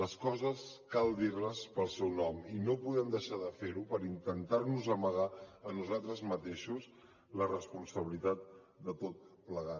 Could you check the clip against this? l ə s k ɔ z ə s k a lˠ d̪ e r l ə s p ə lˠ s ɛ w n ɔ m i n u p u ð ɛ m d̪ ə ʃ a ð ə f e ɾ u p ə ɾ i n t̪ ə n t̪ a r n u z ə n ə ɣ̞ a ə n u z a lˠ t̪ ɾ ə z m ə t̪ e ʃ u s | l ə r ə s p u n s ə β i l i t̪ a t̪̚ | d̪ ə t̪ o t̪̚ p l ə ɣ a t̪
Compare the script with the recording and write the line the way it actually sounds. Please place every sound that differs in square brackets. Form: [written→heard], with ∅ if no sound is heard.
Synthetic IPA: l ə s k ɔ z ə s k a lˠ d̪ [e→i] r l ə s p ə lˠ s ɛ w n ɔ m i n [u→o] p u ð ɛ m d̪ ə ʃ a ð ə f e ɾ u p ə ɾ i n t̪ ə n t̪ a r n u z ə [n→m] ə ɣ̞ a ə n u z a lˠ t̪ ɾ ə z m ə t̪ e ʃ u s | l ə r ə s p u n s ə β i l i t̪ a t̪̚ | d̪ ə t̪ o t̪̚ p l ə ɣ a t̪